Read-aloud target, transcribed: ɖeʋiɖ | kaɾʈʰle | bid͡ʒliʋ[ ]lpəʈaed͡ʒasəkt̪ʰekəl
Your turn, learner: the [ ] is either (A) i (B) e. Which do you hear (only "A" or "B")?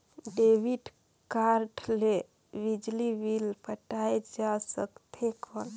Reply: A